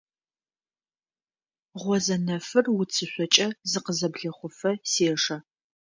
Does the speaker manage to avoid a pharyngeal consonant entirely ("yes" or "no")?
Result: yes